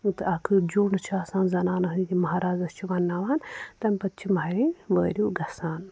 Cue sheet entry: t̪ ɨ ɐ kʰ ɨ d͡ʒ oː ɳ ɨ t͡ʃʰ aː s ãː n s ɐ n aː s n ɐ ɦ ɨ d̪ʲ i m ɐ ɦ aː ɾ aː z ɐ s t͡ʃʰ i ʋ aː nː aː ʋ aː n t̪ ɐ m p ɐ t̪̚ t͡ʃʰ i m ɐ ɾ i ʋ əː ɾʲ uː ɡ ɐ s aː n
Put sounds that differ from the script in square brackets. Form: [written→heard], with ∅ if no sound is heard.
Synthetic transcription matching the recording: t̪ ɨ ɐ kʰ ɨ d͡ʒ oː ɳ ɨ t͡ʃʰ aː s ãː n [s→z] ɐ n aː [s→∅] n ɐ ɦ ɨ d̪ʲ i m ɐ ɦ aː ɾ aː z ɐ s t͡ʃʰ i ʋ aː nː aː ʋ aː n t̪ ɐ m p ɐ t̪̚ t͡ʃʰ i m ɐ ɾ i ʋ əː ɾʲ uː ɡ ɐ s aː n